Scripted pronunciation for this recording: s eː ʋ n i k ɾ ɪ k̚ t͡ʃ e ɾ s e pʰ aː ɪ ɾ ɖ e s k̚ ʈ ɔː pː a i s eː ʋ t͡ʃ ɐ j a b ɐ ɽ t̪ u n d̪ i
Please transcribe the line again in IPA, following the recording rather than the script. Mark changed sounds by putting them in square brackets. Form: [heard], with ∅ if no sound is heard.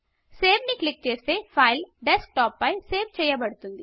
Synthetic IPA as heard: s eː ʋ n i k [l] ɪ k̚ t͡ʃ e ɾ s e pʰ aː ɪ [l] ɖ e s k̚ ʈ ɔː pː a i s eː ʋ t͡ʃ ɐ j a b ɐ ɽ t̪ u n d̪ i